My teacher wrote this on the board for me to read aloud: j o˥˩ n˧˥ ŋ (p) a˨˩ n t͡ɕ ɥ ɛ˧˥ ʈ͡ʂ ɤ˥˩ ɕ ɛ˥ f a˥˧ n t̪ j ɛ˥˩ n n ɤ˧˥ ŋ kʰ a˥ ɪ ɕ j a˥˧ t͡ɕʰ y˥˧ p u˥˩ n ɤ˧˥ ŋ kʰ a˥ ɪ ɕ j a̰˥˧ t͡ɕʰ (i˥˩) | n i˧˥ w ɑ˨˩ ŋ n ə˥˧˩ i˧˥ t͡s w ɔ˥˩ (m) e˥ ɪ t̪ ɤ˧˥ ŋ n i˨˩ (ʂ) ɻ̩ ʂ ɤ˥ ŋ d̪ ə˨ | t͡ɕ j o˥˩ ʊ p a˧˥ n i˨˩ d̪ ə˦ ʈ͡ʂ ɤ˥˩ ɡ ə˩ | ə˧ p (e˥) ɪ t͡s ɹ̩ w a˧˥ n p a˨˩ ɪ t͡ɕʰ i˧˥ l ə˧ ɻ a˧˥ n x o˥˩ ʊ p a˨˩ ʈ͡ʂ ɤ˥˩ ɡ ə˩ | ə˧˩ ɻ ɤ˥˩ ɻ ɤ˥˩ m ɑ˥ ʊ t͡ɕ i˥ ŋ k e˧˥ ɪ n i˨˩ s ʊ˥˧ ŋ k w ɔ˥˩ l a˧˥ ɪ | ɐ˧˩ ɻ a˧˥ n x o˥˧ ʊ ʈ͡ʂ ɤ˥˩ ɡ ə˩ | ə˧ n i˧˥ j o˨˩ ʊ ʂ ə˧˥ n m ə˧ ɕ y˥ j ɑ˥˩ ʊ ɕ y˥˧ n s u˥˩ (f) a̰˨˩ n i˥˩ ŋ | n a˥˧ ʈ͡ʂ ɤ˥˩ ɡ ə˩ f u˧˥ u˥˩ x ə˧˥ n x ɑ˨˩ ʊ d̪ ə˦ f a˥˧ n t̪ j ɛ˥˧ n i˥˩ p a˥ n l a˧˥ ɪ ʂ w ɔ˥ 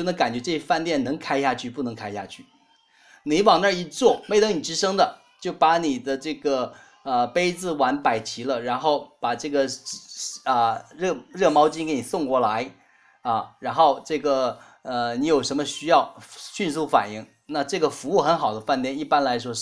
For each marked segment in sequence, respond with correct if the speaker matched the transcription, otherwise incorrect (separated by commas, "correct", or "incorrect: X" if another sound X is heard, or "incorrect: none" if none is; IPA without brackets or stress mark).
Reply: incorrect: k, incorrect: y˥˩, correct, incorrect: ʈ͡ʂ, correct, correct